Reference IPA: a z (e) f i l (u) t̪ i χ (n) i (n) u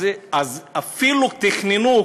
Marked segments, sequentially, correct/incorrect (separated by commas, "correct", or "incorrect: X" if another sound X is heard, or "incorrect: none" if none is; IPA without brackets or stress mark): incorrect: a, correct, correct, correct